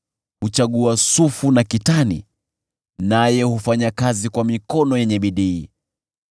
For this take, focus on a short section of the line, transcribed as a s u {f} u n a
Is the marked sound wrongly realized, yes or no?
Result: no